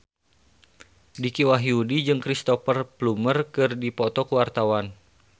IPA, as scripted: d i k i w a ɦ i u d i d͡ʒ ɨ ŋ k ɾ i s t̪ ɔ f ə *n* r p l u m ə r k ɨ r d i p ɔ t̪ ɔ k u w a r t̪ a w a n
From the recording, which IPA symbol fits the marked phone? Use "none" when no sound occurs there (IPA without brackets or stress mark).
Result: none